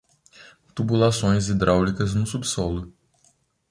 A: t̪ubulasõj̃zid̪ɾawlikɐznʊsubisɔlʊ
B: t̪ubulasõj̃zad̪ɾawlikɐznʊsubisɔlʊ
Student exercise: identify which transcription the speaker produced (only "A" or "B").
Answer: A